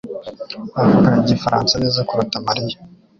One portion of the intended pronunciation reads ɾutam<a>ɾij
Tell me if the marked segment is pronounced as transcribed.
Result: yes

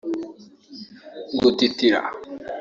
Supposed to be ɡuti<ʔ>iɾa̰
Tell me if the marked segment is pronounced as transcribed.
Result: no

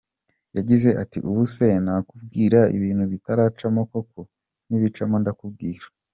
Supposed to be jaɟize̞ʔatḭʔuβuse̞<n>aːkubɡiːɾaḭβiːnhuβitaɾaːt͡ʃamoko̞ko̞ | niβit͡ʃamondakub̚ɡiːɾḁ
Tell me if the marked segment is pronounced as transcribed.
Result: yes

